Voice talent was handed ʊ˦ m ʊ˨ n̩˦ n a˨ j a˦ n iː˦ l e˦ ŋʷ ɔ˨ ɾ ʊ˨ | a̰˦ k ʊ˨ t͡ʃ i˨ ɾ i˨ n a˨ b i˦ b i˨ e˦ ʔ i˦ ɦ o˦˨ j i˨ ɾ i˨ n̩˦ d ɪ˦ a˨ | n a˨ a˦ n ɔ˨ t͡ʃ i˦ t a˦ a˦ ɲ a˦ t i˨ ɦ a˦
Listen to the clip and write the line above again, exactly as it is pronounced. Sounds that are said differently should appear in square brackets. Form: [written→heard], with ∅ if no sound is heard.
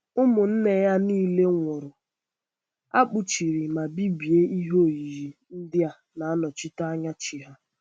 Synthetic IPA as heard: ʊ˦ m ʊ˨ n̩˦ n [a˨→e˨] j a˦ n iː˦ l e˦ ŋʷ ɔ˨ ɾ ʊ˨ | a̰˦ [k→k͡p] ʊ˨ t͡ʃ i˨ ɾ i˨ [n→m] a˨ b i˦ b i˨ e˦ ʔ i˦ ɦ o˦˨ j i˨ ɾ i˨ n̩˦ d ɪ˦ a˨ | n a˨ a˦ n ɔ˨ t͡ʃ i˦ t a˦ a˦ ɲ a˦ [t→t͡ʃ] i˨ ɦ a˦